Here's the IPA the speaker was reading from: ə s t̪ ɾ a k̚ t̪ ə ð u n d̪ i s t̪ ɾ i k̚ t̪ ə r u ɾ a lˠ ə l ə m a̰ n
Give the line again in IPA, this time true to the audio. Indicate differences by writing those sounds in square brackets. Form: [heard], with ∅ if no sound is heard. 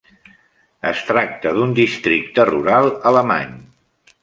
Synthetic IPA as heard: ə s t̪ ɾ a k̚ t̪ ə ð u n d̪ i s t̪ ɾ i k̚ t̪ ə r u ɾ a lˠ ə l ə m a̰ [ɲ]